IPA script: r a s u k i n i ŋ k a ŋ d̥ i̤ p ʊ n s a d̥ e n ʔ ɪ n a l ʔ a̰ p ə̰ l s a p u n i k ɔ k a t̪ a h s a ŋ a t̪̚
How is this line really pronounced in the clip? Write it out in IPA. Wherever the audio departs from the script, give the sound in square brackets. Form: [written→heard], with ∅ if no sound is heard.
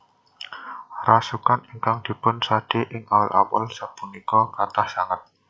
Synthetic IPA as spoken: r a s u k [i→a] n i ŋ k a ŋ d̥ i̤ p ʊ n s a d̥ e [n→∅] ʔ ɪ [n→ŋ] a l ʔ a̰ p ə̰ l s a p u n i k ɔ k a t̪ a h s a ŋ a t̪̚

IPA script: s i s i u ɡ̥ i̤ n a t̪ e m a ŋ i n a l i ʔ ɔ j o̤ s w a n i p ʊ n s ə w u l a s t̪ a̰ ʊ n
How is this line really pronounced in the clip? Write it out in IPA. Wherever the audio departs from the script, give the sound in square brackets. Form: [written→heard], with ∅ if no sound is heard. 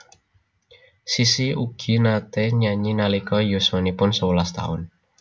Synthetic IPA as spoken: s i s i u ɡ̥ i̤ n a t̪ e [m→ɲ] a [ŋ→ɲ] i n a l i [ʔ→k] ɔ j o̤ s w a n i p ʊ n s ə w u l a s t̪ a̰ ʊ n

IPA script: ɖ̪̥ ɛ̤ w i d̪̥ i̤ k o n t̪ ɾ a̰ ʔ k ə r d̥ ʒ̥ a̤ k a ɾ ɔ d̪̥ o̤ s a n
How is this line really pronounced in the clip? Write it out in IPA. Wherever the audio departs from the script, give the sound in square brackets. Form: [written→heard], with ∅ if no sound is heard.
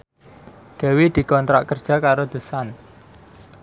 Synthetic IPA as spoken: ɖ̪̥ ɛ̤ w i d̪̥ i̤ k [o→ɔ] n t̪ ɾ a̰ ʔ k ə r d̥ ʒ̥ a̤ k a ɾ [ɔ→o] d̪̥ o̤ s a n

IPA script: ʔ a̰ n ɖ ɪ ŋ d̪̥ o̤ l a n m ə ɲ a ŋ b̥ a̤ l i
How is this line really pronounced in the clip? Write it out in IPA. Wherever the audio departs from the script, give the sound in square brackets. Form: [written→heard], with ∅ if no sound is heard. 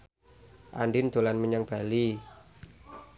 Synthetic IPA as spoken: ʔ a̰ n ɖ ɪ [ŋ→n] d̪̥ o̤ l a n m ə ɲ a ŋ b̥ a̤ l i

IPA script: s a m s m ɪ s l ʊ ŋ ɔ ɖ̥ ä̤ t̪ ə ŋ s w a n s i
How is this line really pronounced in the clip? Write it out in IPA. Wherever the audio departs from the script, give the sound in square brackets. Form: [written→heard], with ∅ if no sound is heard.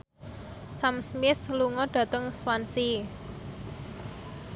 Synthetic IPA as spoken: s a m s m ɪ [s→θ] l [ʊ→u] ŋ ɔ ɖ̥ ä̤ t̪ ə ŋ s w a n s i

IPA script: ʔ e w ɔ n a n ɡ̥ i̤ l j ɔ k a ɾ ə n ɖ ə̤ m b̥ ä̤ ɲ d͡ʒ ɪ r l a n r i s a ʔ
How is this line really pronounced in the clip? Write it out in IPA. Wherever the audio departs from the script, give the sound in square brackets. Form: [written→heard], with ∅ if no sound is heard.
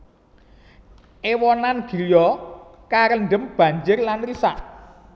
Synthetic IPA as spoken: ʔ e w ɔ n a n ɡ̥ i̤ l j ɔ k a ɾ ə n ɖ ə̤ m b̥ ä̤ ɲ d͡ʒ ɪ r l a n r i s a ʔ

